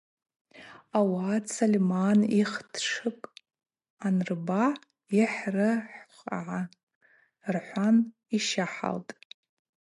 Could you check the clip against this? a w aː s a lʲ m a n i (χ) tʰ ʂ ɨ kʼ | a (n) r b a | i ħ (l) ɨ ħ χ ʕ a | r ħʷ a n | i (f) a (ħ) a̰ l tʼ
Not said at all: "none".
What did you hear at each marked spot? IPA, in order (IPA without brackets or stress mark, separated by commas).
χ, n, r, ʃ, ħ